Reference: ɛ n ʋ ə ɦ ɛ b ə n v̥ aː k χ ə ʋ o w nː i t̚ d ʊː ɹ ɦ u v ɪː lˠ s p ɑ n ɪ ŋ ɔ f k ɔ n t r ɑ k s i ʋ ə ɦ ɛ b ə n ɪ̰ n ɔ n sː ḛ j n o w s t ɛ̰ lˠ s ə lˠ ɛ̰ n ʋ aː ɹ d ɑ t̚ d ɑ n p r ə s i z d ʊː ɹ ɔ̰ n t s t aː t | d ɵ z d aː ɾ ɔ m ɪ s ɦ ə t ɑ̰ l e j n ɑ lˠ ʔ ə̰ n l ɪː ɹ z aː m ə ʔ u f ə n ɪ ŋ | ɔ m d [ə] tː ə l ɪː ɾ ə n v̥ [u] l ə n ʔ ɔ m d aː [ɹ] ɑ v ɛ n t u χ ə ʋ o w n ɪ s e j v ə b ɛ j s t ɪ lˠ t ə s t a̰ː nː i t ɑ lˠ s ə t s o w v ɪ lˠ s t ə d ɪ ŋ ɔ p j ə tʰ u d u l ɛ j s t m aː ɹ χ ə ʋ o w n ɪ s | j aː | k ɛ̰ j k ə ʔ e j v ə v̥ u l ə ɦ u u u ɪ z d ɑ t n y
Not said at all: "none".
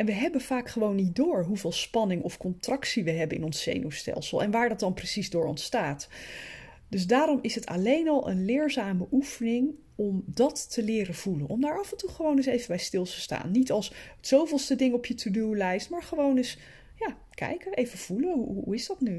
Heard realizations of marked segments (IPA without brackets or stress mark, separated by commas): ɑ, u, ɹ